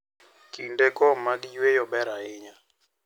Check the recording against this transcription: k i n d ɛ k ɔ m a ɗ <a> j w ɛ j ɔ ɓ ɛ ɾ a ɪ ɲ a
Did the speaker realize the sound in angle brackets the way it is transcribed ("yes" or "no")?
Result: no